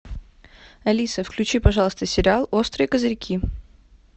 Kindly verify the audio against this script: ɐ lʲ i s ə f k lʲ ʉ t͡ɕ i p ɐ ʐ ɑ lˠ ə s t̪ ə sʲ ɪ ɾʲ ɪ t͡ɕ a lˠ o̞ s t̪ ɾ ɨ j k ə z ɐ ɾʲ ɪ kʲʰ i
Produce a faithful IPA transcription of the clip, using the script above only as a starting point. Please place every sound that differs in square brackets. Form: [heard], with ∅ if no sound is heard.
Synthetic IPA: ɐ lʲ i s ə f k lʲ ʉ t͡ɕ i p ɐ ʐ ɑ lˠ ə s t̪ ə sʲ ɪ ɾʲ ɪ [∅] a lˠ o̞ s t̪ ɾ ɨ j k ə z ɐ ɾʲ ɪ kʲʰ i